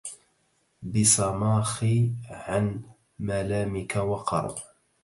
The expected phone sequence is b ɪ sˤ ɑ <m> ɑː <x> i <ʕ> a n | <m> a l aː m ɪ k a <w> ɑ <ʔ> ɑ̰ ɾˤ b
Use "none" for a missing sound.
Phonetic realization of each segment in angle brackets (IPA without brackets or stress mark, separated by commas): m, x, ʕ, m, w, q